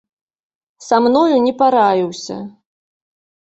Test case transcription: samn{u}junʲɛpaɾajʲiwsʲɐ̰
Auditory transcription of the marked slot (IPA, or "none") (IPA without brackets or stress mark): ɔ